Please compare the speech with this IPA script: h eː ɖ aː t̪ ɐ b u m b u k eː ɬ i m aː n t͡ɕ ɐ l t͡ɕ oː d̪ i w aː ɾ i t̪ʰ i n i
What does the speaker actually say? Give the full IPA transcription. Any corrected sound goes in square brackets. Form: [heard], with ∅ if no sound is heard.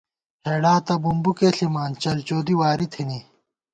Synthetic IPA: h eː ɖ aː t̪ ɐ b u m b u k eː ɬ i m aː n t͡ɕ ɐ l t͡ɕ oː d̪ i w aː ɾ i t̪ʰ i n i